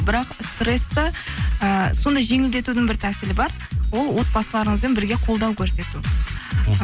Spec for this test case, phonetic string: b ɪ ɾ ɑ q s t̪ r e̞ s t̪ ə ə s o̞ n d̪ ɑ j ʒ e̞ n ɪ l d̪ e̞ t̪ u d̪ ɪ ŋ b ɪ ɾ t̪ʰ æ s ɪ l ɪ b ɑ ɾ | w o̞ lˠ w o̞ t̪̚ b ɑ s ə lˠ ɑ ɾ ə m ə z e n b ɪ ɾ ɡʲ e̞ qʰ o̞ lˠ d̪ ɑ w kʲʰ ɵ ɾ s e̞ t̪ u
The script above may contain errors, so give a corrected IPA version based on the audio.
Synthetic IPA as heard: b ɪ ɾ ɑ q s t̪ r e̞ s t̪ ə ə s o̞ n d̪ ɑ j ʒ e̞ ŋ ɪ l d̪ e̞ t̪ u d̪ ɪ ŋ b ɪ ɾ t̪ʰ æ s ɪ l ɪ b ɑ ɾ | w o̞ lˠ w o̞ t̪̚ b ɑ s ə lˠ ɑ ɾ ə ɴ ə z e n b ɪ ɾ ɡʲ e̞ qʰ o̞ lˠ d̪ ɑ w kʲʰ ɵ ɾ s e̞ t̪ u